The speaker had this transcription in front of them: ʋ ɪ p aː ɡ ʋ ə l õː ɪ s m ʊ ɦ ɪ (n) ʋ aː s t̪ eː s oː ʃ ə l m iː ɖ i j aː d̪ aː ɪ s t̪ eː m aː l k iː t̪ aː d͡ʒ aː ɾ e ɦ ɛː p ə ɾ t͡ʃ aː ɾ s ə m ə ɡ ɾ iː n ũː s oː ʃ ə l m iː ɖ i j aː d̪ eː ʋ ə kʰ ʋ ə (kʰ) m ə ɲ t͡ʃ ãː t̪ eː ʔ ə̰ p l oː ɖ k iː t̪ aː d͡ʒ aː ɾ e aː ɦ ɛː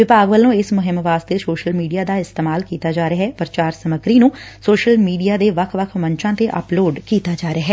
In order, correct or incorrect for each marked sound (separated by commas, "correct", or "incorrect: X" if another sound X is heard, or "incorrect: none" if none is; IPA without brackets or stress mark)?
incorrect: m, correct